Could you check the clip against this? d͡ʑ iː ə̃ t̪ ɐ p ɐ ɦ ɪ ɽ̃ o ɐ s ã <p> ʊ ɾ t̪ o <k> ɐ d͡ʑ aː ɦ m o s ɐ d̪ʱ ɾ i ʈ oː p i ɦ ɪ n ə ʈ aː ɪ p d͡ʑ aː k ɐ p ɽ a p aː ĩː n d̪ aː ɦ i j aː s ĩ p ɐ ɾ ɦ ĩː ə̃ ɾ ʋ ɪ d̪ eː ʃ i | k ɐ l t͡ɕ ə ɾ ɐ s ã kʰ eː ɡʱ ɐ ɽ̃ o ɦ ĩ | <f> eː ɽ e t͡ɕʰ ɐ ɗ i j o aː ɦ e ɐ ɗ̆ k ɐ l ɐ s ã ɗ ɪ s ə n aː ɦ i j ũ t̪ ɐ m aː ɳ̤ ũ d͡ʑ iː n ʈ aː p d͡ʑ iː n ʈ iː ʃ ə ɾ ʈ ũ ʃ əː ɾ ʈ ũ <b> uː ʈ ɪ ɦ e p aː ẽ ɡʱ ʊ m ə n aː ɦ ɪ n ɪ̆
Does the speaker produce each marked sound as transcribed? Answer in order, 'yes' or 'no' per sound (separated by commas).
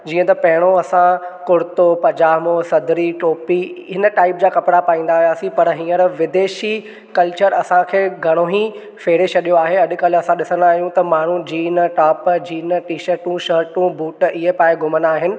no, no, yes, yes